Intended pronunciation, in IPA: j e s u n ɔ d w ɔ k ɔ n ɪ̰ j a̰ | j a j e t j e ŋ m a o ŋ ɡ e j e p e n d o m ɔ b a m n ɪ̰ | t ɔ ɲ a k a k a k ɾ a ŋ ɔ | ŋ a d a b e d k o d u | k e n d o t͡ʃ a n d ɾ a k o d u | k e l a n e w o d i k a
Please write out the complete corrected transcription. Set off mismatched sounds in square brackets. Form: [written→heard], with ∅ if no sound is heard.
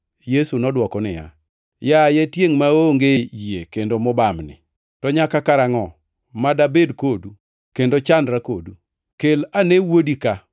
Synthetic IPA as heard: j e s u n ɔ d w ɔ k ɔ n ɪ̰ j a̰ | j a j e t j e ŋ m a o ŋ ɡ e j e [p→k] e n d o m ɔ b a m n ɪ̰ | t ɔ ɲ a k a k a [k→∅] ɾ a ŋ ɔ | [ŋ→m] a d a b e d k o d u | k e n d o t͡ʃ a n d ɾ a k o d u | k e l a n e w o d i k a